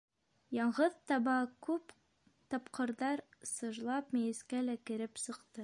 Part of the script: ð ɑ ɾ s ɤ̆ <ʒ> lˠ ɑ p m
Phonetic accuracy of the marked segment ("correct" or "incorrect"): correct